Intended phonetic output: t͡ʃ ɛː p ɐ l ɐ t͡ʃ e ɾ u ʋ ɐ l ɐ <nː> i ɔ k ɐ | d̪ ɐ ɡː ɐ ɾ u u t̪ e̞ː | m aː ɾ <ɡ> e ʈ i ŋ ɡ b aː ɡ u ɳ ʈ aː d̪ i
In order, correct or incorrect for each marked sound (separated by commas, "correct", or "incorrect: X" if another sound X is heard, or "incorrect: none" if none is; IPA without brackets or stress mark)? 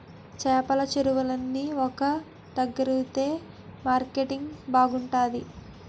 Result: correct, incorrect: k